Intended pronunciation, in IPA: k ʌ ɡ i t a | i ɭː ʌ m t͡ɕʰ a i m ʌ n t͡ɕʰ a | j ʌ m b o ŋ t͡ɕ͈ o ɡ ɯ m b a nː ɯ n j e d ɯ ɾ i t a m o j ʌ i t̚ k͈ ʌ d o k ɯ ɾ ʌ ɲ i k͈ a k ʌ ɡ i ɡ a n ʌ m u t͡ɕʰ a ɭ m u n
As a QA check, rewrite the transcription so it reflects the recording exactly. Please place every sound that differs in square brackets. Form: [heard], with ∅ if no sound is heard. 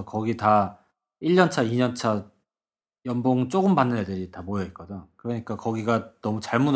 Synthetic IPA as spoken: k ʌ ɡ i t a | i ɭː ʌ [n] t͡ɕʰ a i [ɲ] ʌ n t͡ɕʰ a | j ʌ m b o ŋ t͡ɕ͈ o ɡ ɯ m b a nː ɯ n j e d ɯ ɾ i t a m o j ʌ i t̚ k͈ ʌ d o k ɯ ɾ ʌ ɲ i k͈ a k ʌ ɡ i ɡ a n ʌ m u [t͡ɕ] a ɭ m u n